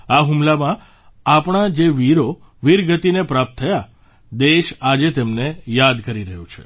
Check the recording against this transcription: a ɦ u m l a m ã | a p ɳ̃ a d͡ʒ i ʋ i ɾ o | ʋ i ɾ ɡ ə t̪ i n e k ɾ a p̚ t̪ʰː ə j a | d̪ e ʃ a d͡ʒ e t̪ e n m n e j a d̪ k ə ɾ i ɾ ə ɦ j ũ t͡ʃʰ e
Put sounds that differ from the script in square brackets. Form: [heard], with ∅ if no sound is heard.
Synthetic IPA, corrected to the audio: a ɦ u m l a m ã | a p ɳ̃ a d͡ʒ [e] ʋ i ɾ o | ʋ i ɾ ɡ ə t̪ i n e [p] ɾ a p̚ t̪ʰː ə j a | d̪ e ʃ a d͡ʒ e t̪ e [∅] m n e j a d̪ k ə ɾ i ɾ ə ɦ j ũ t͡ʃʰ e